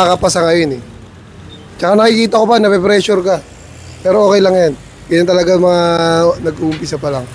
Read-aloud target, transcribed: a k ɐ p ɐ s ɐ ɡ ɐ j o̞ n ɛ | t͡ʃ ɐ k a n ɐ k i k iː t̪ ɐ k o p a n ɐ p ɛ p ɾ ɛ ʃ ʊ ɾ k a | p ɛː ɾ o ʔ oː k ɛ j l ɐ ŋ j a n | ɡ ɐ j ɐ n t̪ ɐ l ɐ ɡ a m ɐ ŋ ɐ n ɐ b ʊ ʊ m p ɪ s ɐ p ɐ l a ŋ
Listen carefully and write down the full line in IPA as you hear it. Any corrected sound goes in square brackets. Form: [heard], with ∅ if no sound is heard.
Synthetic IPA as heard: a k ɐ p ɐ s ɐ [ŋ] ɐ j o̞ n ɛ | t͡ʃ ɐ k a n ɐ k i k iː t̪ ɐ k o p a n ɐ p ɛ p ɾ ɛ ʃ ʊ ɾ k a | p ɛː ɾ o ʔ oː k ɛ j l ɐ ŋ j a n | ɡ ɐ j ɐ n t̪ ɐ l ɐ ɡ a m ɐ ŋ [a] n ɐ [ɡ] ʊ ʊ m p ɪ s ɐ p ɐ l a ŋ

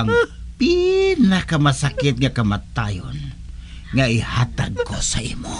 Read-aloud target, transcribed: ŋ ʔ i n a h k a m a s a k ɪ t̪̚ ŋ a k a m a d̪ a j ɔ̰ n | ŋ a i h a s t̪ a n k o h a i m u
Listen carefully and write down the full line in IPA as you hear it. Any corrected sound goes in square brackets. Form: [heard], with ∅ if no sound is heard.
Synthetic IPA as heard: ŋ [p] i n a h k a m a s a k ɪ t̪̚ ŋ a k a m a [t̪] a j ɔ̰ n | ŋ a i h a [∅] t̪ a n k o [s] a i m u

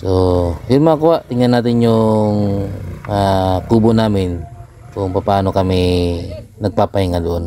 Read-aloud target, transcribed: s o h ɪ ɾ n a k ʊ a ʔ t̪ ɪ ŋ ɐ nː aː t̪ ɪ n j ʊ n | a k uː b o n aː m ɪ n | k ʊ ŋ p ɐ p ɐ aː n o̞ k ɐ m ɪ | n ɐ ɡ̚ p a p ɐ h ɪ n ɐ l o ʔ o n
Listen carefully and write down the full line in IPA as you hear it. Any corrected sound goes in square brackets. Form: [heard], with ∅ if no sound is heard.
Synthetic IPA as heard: s o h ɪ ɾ [m] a k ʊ a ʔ t̪ ɪ ŋ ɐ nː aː t̪ ɪ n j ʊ [ŋ] | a k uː b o n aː m ɪ n | k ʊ ŋ p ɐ p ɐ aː n o̞ k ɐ m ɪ | n ɐ ɡ̚ p a p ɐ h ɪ [ŋ] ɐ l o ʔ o n

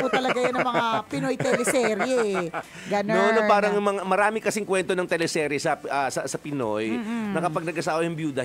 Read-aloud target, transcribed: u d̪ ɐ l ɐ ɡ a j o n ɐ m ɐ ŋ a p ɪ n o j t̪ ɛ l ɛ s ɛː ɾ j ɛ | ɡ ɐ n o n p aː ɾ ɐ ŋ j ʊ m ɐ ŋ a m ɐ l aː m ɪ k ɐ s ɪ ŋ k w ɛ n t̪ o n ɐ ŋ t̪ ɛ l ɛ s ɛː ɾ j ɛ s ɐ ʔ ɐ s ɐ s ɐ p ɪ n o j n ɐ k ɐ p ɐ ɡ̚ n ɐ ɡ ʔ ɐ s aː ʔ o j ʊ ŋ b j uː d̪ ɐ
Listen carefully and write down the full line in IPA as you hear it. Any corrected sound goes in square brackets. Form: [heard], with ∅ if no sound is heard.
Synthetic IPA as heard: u [t̪] ɐ l ɐ ɡ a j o n ɐ m ɐ ŋ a p ɪ n o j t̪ ɛ l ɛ s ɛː ɾ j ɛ | ɡ ɐ n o n p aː ɾ ɐ ŋ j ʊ m ɐ ŋ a m ɐ [ɾ] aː m ɪ k ɐ s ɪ ŋ k w ɛ n t̪ o n ɐ ŋ t̪ ɛ l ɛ s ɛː ɾ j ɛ s ɐ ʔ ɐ s ɐ s ɐ p ɪ n o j n ɐ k ɐ p ɐ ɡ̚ n ɐ ɡ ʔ ɐ s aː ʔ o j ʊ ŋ b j uː d̪ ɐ

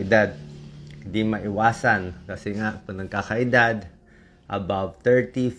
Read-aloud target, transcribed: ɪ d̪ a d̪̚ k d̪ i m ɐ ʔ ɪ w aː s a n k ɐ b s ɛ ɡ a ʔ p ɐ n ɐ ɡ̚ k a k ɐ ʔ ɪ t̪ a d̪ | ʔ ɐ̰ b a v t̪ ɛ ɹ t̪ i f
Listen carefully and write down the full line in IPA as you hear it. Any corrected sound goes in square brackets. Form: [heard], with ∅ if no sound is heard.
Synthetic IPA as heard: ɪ d̪ a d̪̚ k d̪ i m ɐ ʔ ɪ w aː s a n k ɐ [∅] s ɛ [ŋ] a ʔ p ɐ n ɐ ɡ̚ k a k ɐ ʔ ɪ [d̪] a d̪ | ʔ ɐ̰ b a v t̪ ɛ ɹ t̪ i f

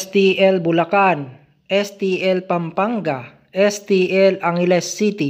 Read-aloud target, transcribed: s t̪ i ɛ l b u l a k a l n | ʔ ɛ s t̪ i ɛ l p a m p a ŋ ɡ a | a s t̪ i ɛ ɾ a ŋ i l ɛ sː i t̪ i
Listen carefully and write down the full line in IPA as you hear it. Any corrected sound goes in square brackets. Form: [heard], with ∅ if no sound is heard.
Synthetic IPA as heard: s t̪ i ɛ l b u l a k a [∅] n | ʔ ɛ s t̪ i ɛ l p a m p a ŋ ɡ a | [ɛ] s t̪ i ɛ [l] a ŋ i l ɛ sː i t̪ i

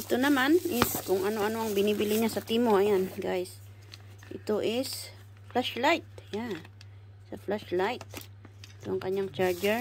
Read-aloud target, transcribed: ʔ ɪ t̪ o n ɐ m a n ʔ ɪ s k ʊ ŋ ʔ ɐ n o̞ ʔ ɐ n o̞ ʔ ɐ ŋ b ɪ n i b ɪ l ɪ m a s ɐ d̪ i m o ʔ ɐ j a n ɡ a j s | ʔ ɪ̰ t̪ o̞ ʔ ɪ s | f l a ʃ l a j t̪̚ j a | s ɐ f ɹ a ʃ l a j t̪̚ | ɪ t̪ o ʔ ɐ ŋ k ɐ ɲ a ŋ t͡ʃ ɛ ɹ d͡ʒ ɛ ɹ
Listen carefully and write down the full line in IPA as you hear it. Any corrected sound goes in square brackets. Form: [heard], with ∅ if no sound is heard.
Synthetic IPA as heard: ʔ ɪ t̪ o n ɐ m a n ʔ ɪ s k ʊ ŋ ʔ ɐ n o̞ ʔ ɐ n o̞ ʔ ɐ ŋ b ɪ n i b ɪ l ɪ [ɲ] a s ɐ [t̪] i m o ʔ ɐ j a n ɡ a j s | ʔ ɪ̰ t̪ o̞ ʔ ɪ s | f l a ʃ l a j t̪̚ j a | s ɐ f [l] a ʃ l a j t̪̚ | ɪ t̪ o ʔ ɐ ŋ k ɐ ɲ a ŋ t͡ʃ [a] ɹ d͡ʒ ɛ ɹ

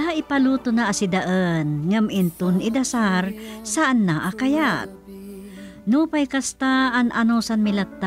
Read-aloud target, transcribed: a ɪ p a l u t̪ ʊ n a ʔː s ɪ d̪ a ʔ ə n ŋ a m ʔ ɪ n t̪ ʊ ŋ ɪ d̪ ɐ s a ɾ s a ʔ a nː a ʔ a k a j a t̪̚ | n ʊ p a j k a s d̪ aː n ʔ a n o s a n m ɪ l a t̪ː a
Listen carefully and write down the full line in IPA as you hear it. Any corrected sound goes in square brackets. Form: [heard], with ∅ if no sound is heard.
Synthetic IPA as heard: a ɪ p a l u t̪ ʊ n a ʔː s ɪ d̪ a ʔ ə n ŋ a m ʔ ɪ n t̪ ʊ [n] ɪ d̪ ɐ s a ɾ s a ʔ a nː a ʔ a k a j a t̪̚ | n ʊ p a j k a s [t̪] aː n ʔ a n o s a n m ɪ l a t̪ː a

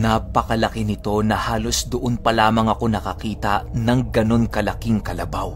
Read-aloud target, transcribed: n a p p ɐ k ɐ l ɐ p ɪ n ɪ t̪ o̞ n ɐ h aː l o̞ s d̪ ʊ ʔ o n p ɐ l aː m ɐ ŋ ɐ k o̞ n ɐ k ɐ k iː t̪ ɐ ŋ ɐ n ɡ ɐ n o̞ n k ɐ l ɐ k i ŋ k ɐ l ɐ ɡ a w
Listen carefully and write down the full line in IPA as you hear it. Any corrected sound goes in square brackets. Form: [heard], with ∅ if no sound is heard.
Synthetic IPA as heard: n a p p ɐ k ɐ l ɐ [k] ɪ n ɪ t̪ o̞ n ɐ h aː l o̞ s d̪ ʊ ʔ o n p ɐ l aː m ɐ ŋ ɐ k o̞ n ɐ k ɐ k iː t̪ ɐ [n] ɐ [ŋ] ɡ ɐ n o̞ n k ɐ l ɐ k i ŋ k ɐ l ɐ [b] a w

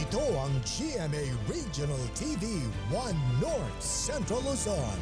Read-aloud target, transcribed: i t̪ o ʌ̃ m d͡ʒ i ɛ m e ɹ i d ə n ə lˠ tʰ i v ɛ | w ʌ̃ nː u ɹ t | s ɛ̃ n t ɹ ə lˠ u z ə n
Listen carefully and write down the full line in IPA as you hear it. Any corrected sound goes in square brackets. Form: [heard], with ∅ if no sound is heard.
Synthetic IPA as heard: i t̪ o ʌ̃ [ŋ] d͡ʒ i ɛ m e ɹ i [d͡ʒ] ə n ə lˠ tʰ i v [i] | w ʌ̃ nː [ɔ] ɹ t | s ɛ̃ n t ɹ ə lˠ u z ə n

